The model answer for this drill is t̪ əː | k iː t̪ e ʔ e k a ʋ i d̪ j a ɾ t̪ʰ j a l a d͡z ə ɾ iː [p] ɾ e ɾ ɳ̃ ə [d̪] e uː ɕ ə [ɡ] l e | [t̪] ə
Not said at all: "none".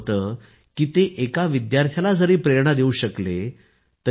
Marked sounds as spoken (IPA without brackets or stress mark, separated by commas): p, d̪, k, t̪